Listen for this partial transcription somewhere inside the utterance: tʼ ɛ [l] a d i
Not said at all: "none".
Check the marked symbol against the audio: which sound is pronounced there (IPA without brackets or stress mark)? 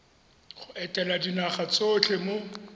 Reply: l